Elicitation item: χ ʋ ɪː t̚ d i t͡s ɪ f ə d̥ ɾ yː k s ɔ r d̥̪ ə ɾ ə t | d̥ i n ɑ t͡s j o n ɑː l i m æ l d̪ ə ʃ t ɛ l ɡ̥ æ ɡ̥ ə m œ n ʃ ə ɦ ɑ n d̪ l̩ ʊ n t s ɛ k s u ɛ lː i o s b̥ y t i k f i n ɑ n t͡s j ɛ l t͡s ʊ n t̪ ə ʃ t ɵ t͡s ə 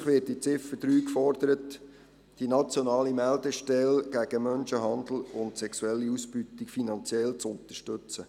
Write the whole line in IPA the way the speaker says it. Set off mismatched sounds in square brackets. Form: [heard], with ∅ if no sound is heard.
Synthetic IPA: χ ʋ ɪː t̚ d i t͡s ɪ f ə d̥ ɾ yː k [f] ɔ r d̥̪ ə ɾ ə t | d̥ i n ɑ t͡s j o n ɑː l i m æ l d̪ ə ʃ t ɛ l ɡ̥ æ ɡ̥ ə m œ n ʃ ə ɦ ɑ n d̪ l̩ ʊ n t s ɛ k s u ɛ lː i [u] s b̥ y t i k f i n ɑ n t͡s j ɛ l t͡s ʊ n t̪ ə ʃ t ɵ t͡s ə